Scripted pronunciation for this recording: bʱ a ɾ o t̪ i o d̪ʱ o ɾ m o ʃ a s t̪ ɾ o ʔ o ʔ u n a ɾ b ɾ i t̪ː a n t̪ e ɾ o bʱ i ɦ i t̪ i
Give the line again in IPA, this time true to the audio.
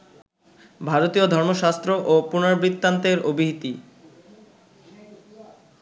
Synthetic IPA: bʱ a ɾ o t̪ i o d̪ʱ ɔ ɾ m o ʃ a s t̪ ɾ o ʔ o p u n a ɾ b ɾ i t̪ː a n t̪ e ɾ o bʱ i ɦ i t̪ i